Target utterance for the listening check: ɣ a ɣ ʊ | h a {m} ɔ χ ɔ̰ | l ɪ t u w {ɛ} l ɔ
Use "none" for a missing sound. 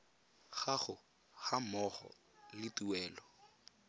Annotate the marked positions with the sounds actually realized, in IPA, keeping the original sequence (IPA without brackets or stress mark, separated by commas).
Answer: m, ɛː